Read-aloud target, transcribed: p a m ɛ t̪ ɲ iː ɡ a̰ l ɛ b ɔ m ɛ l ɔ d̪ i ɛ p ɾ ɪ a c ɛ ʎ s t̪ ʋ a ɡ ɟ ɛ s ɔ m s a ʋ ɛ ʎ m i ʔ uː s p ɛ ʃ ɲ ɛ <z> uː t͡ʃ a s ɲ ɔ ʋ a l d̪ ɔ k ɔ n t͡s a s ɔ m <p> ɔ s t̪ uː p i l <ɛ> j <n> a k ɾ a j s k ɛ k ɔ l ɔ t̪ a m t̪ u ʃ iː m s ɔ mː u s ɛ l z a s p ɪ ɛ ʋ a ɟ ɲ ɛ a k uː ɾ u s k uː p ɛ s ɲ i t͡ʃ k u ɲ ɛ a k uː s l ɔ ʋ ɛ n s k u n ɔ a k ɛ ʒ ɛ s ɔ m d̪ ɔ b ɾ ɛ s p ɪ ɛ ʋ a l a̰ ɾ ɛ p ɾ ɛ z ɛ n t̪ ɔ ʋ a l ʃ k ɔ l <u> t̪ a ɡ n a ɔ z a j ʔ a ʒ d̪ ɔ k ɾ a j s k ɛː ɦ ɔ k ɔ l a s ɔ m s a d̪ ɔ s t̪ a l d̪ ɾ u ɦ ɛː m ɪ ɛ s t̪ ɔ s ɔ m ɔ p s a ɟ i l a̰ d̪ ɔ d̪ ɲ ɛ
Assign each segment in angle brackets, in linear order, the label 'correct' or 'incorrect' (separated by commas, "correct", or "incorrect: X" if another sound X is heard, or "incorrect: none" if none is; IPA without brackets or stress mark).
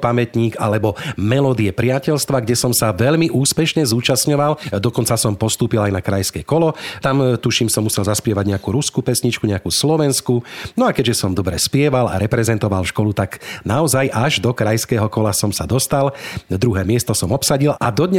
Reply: correct, correct, incorrect: a, correct, correct